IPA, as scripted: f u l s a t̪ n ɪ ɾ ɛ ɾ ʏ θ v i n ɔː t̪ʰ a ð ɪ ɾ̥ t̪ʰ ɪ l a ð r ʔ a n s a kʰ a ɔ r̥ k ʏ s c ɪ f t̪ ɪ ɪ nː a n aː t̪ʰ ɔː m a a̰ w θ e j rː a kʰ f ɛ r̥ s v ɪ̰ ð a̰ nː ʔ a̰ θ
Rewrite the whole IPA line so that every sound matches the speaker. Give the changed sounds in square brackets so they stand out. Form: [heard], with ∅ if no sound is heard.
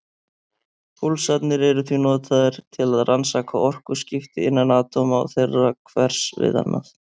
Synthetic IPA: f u l s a t̪ n ɪ ɾ ɛ ɾ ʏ θ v i n ɔː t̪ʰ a ð ɪ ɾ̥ t̪ʰ ɪ l a ð r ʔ a n s a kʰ a ɔ r̥ k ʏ s c ɪ f t̪ ɪ ɪ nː a n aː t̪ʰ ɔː m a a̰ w θ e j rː a kʰ [v] ɛ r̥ s v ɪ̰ ð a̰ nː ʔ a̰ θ

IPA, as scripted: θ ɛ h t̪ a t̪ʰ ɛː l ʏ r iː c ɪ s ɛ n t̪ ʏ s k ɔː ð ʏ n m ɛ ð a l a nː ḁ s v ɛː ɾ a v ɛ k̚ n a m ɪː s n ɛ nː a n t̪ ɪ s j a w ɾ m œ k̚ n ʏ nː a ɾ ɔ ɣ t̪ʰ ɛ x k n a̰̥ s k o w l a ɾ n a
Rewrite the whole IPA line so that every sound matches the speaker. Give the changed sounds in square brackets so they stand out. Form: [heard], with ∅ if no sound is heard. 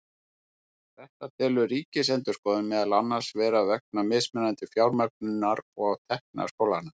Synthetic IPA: θ ɛ h t̪ a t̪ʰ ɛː l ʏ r iː c ɪ s ɛ n t̪ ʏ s k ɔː ð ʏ n m ɛ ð a l a nː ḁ s v ɛː ɾ a v ɛ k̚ n a m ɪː s [m] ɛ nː a n t̪ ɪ [f] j a w ɾ m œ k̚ n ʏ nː a ɾ ɔ ɣ t̪ʰ ɛ [h] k n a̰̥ s k o w l a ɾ n a

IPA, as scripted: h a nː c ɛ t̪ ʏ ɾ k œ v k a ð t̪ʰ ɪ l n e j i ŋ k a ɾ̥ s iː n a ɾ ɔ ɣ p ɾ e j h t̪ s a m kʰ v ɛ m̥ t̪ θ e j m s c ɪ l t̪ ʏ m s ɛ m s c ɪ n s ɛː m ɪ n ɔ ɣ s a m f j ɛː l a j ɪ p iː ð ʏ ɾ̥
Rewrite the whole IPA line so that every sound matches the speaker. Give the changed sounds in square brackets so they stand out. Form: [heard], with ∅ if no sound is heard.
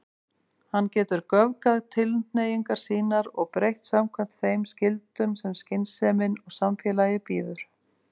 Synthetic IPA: h a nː c [ɛː] t̪ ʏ ɾ k œ v k a ð t̪ʰ ɪ l n e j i ŋ k a ɾ̥ s iː n a ɾ ɔ ɣ p ɾ e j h t̪ s a m kʰ v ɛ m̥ t̪ θ e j m s c ɪ l t̪ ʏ m s ɛ m s c ɪ n s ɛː m ɪ n ɔ ɣ s a m f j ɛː l a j ɪ p iː ð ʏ ɾ̥

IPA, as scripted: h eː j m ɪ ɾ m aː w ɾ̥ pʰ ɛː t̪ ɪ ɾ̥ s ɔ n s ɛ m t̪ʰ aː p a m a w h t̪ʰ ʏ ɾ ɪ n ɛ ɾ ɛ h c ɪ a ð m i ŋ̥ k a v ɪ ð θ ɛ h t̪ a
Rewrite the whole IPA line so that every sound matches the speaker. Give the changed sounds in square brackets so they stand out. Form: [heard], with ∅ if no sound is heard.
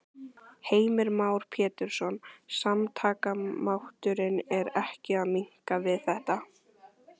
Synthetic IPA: h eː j m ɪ ɾ m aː w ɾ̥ pʰ ɛː t̪ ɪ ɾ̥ s ɔ n s [a] m t̪ʰ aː [k] a m a w h [t̪] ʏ ɾ ɪ n ɛ ɾ ɛ h c ɪ a ð m i ŋ̥ k a v ɪ ð θ ɛ h t̪ a

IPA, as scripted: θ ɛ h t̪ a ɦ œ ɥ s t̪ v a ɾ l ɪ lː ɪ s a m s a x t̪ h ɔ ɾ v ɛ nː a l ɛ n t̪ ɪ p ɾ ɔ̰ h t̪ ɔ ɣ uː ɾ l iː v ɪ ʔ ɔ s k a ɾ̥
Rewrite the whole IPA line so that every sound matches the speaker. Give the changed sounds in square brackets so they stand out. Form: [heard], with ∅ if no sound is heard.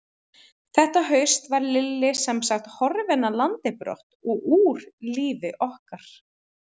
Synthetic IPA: θ ɛ h t̪ a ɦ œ ɥ s t̪ v a ɾ l ɪ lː ɪ s [ɛ] m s a x t̪ h ɔ ɾ v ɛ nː a l [a] n t̪ ɪ p ɾ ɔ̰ h t̪ ɔ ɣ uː ɾ l iː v ɪ ʔ ɔ [h] k a ɾ̥

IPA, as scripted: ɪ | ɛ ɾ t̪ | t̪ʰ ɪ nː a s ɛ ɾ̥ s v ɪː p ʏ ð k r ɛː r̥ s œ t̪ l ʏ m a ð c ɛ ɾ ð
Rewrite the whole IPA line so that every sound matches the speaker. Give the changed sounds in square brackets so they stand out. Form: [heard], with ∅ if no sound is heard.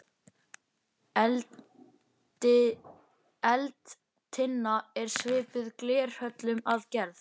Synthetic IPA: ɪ | ɛ [l] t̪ | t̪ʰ ɪ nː a [∅] ɛ ɾ̥ s v ɪː p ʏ ð k [l] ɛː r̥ [h] œ t̪ l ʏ m a ð c ɛ ɾ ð

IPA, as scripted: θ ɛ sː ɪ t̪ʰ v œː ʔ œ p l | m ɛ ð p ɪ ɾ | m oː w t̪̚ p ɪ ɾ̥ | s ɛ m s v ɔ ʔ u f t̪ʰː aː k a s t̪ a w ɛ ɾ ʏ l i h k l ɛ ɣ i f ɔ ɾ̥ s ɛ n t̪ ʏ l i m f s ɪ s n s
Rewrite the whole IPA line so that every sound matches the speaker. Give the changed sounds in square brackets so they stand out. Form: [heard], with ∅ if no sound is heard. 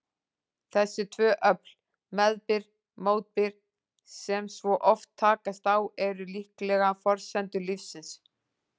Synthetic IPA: θ ɛ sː ɪ t̪ʰ v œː ʔ œ p l | m ɛ ð p ɪ ɾ | m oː w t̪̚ p ɪ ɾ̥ | s ɛ m s v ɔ ʔ [ɔ] f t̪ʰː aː k a s t̪ a w ɛ ɾ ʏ l i h k l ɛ ɣ [a] f ɔ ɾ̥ s ɛ n t̪ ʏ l i [∅] f s ɪ [∅] n s

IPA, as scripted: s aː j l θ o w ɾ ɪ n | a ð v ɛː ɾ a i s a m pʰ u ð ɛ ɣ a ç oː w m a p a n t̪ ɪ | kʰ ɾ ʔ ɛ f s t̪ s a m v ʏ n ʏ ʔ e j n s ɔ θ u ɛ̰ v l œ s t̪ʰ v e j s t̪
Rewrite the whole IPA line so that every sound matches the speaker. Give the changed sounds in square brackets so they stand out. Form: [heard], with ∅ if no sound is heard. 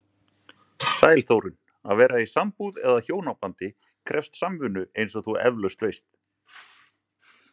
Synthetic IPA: s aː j l θ o w ɾ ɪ n | a ð v ɛː ɾ a i s a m [p] u ð ɛ [ð] a ç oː w [n] a p a n t̪ ɪ | kʰ ɾ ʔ ɛ f s t̪ s a m v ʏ n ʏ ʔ e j n s ɔ θ u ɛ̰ v l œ s [t̪] v e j s t̪

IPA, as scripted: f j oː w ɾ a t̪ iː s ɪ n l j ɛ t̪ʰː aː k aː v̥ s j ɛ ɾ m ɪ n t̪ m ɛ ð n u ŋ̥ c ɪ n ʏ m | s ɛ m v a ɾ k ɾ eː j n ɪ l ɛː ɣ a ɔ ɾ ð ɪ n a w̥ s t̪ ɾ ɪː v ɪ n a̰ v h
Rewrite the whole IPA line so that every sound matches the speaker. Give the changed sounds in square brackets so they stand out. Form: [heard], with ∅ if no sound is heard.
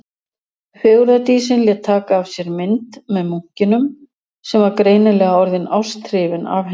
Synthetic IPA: f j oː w ɾ a t̪ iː s ɪ n l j ɛ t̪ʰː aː k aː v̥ s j ɛ ɾ m ɪ n t̪ m ɛ ð [m] u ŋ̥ c ɪ n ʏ m | s ɛ m v a ɾ k ɾ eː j n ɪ l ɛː ɣ a ɔ ɾ ð ɪ n a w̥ s t̪ ɾ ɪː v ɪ n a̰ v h

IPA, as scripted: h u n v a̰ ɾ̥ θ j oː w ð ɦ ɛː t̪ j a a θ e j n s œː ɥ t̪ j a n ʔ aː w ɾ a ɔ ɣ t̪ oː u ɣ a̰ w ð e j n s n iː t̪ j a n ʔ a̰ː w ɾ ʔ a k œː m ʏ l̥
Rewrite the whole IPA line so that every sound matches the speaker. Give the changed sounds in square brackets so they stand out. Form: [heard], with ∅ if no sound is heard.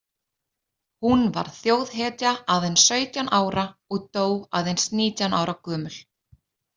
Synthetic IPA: h u n v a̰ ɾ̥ θ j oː w ð ɦ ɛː t̪ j a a [ð] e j n s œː ɥ t̪ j a n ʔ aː w ɾ a ɔ ɣ t̪ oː [w] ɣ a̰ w ð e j n s n iː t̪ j a n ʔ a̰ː w ɾ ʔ a k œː m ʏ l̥

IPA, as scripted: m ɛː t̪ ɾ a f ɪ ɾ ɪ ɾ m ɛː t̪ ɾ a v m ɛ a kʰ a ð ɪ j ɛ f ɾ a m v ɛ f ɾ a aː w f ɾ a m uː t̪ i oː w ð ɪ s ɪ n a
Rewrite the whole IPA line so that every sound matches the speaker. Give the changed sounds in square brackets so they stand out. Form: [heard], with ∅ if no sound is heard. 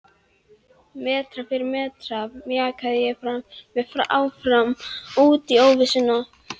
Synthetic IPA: m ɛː t̪ ɾ a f ɪ ɾ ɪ ɾ m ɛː t̪ ɾ a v m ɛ a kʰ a ð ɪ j ɛ f ɾ a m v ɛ f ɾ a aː w f ɾ a m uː t̪ i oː w [v] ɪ s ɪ n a

